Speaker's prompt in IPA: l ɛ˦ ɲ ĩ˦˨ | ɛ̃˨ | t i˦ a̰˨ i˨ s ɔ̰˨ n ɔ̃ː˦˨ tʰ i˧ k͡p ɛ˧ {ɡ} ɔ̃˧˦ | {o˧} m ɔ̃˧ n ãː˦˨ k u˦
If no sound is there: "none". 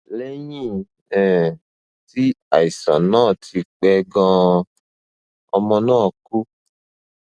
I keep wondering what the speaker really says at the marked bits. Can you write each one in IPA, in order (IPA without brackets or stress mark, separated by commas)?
ɡ, ɔ˧